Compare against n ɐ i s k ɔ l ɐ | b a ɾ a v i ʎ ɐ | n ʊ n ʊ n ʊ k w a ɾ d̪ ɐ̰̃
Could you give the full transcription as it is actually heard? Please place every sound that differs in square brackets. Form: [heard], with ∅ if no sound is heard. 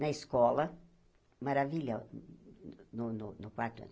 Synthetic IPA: n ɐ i s k ɔ l ɐ | [m] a ɾ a v i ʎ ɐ | n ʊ n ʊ n ʊ k w a ɾ [t̪] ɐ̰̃

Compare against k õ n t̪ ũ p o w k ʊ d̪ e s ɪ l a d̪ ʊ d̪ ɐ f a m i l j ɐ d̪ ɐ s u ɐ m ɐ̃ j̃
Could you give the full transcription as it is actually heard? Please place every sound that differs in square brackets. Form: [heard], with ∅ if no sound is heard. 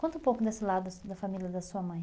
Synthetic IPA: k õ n t̪ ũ p o w k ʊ d̪ e s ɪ l a d̪ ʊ d̪ ɐ f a m i l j ɐ d̪ ɐ s u ɐ m ɐ̃ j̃

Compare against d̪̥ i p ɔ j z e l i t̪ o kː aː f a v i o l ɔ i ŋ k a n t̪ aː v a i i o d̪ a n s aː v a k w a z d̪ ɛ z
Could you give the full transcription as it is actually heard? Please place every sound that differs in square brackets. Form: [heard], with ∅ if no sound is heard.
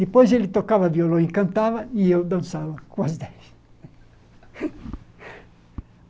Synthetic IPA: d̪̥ i p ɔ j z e l i t̪ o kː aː [v] a v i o l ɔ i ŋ k a n t̪ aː v a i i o d̪ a n s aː v a k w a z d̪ ɛ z

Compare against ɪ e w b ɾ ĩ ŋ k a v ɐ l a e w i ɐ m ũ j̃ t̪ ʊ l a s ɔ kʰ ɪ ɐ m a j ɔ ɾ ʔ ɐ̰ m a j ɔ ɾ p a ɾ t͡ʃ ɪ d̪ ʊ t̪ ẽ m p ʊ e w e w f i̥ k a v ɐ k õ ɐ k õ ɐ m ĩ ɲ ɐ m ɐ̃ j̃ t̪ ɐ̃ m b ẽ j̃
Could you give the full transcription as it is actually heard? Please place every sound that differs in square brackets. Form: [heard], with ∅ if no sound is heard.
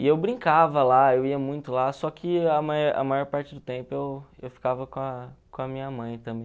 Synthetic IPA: ɪ e w b ɾ ĩ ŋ k a v ɐ l a e w i ɐ m ũ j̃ t̪ ʊ l a s ɔ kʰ ɪ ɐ m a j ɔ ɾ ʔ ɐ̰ m a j ɔ ɾ p a ɾ t͡ʃ ɪ d̪ ʊ t̪ ẽ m p ʊ e w e w f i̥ k a v ɐ k õ ɐ k õ ɐ m ĩ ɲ ɐ m ɐ̃ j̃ t̪ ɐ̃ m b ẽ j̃

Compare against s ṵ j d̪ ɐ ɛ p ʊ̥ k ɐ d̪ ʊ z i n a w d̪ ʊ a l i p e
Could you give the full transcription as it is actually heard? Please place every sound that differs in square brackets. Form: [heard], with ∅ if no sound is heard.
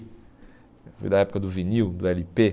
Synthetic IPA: [f] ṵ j d̪ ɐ ɛ p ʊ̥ k ɐ d̪ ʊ [v] i n [i] w d̪ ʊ [ɛ] l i p e

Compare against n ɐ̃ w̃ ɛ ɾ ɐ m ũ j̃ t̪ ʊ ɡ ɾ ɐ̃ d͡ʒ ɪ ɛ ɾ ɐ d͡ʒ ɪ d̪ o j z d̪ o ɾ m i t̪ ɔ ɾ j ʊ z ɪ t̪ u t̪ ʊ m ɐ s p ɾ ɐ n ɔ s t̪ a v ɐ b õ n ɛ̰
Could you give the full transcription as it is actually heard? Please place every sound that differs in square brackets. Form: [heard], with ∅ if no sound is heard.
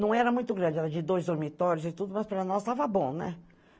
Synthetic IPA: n ɐ̃ w̃ ɛ ɾ ɐ m ũ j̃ t̪ ʊ ɡ ɾ ɐ̃ d͡ʒ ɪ ɛ ɾ ɐ d͡ʒ ɪ d̪ o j z d̪ o ɾ m i t̪ ɔ ɾ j ʊ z ɪ t̪ u [d̪] ʊ m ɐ s p ɾ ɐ n ɔ s t̪ a v ɐ b õ n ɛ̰

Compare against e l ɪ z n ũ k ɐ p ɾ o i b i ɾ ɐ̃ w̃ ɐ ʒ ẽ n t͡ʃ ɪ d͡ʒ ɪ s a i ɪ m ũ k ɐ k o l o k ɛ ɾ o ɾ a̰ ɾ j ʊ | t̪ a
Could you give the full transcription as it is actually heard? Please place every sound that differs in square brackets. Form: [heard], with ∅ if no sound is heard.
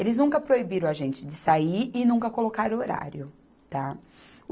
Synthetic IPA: e l ɪ z n ũ k ɐ p ɾ o i b i ɾ ɐ̃ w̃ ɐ ʒ ẽ n t͡ʃ ɪ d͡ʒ ɪ s a i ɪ [n] ũ k ɐ k o l o k [a] ɾ o ɾ a̰ ɾ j ʊ | t̪ a

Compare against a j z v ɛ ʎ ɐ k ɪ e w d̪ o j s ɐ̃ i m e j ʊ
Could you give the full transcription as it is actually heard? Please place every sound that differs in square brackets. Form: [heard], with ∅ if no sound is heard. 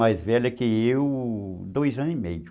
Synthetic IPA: a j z v ɛ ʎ ɐ k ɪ e w d̪ o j [z] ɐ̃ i m e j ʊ

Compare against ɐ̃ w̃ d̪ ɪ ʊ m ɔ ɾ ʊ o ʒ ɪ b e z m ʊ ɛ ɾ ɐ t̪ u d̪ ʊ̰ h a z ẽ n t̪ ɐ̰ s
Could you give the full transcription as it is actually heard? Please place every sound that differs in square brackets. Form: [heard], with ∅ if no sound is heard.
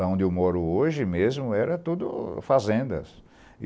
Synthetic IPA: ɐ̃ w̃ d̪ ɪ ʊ m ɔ ɾ ʊ o ʒ ɪ [m] e z m ʊ ɛ ɾ ɐ t̪ u d̪ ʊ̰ [f] a z ẽ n [d̪] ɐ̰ s

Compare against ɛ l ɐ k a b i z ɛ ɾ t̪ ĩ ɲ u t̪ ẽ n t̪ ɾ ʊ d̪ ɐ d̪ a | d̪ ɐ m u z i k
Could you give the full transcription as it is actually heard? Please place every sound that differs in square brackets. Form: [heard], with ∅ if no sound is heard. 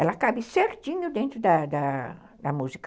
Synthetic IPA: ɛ l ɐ k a b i [s] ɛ ɾ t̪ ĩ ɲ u [d̪] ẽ n t̪ ɾ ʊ d̪ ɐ d̪ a | d̪ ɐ m u z i k

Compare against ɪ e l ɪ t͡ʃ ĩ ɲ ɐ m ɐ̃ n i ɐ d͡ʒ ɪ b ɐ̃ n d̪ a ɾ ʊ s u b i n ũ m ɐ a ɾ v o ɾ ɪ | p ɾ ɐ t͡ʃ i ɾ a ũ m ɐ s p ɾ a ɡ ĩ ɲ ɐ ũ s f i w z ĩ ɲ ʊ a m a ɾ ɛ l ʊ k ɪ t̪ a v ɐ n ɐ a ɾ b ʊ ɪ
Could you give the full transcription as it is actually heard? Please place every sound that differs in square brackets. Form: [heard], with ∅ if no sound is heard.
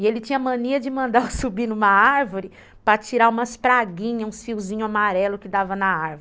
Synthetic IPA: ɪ e l ɪ t͡ʃ ĩ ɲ ɐ m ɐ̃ n i ɐ d͡ʒ ɪ [m] ɐ̃ n d̪ a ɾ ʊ s u b i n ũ m ɐ a ɾ v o ɾ ɪ | p ɾ ɐ t͡ʃ i ɾ a ũ m ɐ s p ɾ a ɡ ĩ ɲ ɐ ũ s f i w z ĩ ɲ ʊ a m a ɾ ɛ l ʊ k ɪ [d̪] a v ɐ n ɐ a ɾ [v] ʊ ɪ

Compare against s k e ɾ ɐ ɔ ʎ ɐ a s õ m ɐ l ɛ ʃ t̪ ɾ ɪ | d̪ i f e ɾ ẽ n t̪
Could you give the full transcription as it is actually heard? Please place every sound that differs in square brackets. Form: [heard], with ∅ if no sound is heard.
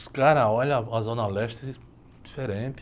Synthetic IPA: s k [a] ɾ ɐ ɔ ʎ ɐ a [z] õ [n] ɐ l ɛ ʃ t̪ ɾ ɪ | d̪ i f e ɾ ẽ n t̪

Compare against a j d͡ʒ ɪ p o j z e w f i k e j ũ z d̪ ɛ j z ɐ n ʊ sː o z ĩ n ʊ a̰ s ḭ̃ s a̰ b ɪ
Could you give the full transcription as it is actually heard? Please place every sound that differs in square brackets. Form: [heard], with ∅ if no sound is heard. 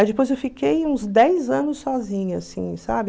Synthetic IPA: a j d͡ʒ ɪ p o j z e w f i k e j ũ z d̪ ɛ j z [ɐ̃] n ʊ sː [ɔ] z ĩ [ɲ] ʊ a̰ s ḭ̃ s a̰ b ɪ

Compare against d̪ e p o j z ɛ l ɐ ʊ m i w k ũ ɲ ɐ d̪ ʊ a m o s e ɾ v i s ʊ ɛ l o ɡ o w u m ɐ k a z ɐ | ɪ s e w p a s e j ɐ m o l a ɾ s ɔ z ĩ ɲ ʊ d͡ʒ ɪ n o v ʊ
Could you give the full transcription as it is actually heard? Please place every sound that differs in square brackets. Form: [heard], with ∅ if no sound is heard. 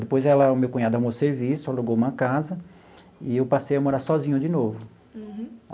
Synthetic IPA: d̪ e p o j z ɛ l ɐ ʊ m [e] w k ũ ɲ [a] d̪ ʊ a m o s e ɾ v i s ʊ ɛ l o ɡ o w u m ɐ k a z ɐ | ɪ [∅] e w p a s e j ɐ m o [ɾ] a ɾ s ɔ z ĩ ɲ ʊ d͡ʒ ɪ n o v ʊ

